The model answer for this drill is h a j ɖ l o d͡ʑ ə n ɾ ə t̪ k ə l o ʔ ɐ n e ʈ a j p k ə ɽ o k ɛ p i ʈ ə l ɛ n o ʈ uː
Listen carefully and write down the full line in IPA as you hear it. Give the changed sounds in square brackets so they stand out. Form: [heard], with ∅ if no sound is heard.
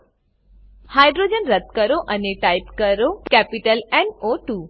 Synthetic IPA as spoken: h a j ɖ [ɾ] o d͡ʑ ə n ɾ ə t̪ k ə [ɾ] o ʔ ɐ n e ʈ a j p k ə [ɾ] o k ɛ p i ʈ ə l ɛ n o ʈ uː